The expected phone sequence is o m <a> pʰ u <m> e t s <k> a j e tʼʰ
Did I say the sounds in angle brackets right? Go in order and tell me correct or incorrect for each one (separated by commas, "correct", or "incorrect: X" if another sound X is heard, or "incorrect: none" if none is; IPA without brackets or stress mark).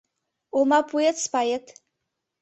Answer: correct, incorrect: none, incorrect: p